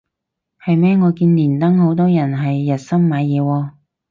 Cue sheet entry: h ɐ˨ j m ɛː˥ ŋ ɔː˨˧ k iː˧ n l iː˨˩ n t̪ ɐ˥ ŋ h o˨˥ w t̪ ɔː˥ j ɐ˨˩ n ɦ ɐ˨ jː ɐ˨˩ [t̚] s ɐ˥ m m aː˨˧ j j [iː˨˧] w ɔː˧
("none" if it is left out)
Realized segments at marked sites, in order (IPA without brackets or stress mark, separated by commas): t̚, ɛː˨˧